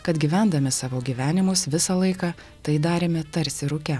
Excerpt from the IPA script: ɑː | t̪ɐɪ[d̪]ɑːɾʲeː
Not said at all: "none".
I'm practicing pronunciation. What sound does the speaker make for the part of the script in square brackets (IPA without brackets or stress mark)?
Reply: d̪